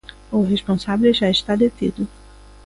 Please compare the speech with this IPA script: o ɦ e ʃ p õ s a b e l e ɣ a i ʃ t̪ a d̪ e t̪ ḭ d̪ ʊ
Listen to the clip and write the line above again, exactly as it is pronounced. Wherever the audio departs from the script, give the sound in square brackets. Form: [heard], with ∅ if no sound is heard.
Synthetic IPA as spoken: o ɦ e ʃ p õ s a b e l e [ʒ] a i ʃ t̪ a d̪ e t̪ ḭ d̪ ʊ